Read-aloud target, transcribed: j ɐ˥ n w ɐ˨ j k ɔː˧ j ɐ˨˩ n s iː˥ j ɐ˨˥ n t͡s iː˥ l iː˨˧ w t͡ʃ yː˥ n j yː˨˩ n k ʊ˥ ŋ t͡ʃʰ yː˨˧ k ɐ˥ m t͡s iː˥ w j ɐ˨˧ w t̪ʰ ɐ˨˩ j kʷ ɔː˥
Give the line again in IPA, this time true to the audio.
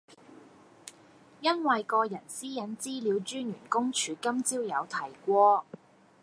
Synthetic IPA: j ɐ˥ n w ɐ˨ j k ɔː˧ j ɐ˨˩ n s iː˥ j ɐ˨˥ n t͡s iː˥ l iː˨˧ w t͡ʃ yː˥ n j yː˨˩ n k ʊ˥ ŋ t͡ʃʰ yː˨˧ k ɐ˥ m t͡s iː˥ w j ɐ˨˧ w t̪ʰ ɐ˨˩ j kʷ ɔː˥